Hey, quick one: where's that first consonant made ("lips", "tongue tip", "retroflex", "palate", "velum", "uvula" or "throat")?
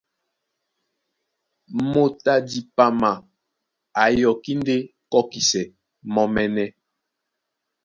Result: lips